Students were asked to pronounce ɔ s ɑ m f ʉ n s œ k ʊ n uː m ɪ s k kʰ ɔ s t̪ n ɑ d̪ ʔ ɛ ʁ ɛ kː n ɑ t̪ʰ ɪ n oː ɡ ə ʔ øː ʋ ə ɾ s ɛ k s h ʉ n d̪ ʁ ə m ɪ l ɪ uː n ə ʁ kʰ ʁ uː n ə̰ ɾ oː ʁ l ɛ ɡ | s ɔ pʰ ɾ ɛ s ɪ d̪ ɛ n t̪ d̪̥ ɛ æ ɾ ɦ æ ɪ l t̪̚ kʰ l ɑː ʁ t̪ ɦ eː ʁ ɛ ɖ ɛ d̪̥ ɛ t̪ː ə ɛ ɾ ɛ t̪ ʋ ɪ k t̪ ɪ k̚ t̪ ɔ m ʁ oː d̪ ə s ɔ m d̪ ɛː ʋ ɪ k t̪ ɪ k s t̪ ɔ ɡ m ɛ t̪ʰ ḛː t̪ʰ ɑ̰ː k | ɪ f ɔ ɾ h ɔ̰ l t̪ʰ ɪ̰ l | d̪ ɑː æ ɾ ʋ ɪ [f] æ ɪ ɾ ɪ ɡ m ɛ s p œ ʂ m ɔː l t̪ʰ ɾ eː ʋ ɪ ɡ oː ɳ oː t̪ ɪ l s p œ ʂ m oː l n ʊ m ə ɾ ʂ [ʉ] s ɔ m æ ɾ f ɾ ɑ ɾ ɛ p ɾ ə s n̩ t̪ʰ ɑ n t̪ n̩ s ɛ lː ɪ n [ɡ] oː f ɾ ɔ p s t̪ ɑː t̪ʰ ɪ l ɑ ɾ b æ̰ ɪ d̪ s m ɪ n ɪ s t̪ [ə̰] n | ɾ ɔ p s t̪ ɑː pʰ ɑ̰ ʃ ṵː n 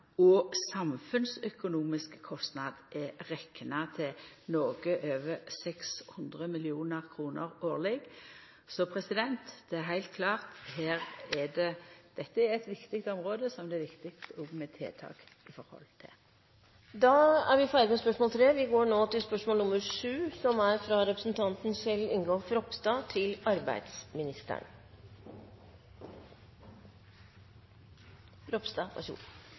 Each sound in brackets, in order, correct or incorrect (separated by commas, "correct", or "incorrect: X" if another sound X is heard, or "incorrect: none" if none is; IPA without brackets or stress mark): correct, incorrect: ʉː, correct, correct